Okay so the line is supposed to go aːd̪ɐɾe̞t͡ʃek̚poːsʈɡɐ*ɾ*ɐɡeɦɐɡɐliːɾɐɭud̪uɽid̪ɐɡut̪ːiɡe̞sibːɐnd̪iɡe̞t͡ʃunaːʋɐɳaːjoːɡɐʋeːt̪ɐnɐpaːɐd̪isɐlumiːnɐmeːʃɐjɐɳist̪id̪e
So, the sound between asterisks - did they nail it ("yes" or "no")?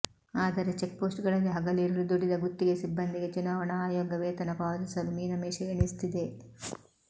no